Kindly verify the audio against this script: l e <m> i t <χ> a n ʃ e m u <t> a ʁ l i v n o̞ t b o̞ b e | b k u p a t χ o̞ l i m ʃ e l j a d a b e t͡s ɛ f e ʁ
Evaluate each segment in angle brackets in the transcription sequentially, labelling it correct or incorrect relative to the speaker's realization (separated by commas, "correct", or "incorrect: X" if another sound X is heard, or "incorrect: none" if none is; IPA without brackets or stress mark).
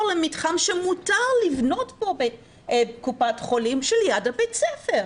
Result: correct, correct, correct